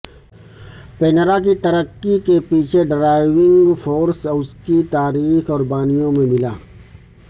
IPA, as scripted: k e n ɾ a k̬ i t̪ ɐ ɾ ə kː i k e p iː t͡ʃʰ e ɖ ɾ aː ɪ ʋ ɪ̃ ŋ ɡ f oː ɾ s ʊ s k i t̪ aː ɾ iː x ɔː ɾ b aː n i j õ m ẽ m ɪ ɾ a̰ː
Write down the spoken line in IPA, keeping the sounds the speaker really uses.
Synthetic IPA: p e n ɾ a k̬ i t̪ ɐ ɾ ə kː i k e p iː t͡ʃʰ e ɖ ɾ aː ɪ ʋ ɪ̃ ŋ ɡ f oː ɾ s ʊ s k i t̪ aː ɾ iː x ɔː ɾ b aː n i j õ m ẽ m ɪ l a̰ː